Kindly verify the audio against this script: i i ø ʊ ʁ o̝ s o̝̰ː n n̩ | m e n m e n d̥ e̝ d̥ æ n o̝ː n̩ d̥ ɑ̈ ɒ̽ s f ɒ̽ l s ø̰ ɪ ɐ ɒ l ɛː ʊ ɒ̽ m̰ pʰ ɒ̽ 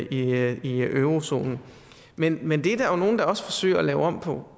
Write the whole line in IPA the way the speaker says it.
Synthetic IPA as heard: i i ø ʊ ʁ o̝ s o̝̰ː n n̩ | m e n m e n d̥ e̝ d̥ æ n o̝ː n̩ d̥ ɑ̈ ɒ̽ s f ɒ̽ s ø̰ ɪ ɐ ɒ l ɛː ʊ ɒ̽ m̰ pʰ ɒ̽